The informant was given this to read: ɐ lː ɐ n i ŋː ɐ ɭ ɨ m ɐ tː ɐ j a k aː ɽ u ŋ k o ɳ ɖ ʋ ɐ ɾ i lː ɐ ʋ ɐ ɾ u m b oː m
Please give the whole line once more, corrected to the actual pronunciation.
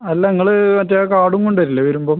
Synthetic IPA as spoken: ɐ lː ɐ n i ŋː ɐ ɭ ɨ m ɐ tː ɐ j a k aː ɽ u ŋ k o ɳ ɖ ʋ ɐ ɾ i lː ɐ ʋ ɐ ɾ u m b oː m